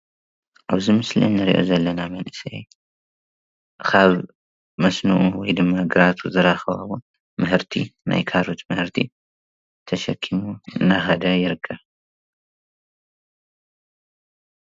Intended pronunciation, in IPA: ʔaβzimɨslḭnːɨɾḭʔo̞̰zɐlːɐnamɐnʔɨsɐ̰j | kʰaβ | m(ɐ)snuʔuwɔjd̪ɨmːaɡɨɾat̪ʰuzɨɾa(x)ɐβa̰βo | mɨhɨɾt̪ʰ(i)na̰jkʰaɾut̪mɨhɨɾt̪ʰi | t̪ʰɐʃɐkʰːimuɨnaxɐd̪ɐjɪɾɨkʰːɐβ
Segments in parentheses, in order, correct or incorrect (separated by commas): correct, correct, correct